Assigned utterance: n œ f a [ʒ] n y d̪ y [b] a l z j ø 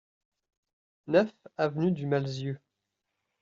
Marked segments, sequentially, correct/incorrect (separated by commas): incorrect, incorrect